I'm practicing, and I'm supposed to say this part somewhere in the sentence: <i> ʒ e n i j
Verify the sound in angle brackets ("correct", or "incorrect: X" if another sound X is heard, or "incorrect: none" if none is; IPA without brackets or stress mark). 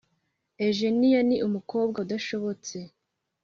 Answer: incorrect: e